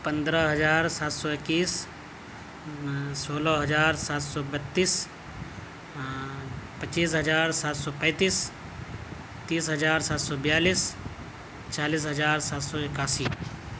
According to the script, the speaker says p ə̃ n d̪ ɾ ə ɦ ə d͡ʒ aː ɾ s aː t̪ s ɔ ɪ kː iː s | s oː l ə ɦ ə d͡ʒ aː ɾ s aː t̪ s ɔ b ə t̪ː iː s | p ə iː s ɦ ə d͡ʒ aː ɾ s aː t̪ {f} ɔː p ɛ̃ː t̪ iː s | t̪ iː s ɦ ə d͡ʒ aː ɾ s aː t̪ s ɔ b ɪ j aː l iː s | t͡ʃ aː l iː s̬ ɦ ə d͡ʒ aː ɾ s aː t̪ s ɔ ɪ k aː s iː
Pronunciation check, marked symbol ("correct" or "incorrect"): incorrect